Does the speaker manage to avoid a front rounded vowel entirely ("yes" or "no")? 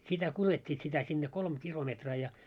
yes